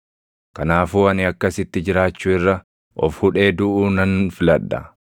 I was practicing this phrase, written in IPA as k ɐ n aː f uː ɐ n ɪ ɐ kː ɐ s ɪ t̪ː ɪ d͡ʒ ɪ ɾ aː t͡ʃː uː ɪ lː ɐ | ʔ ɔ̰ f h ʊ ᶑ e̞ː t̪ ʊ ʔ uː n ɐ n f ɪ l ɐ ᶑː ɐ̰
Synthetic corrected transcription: k ɐ n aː f uː ɐ n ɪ ɐ kː ɐ s ɪ t̪ː ɪ d͡ʒ ɪ ɾ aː t͡ʃː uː ɪ rː ɐ | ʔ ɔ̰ f h ʊ ᶑ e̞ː d̪ ʊ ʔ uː n ɐ n f ɪ l ɐ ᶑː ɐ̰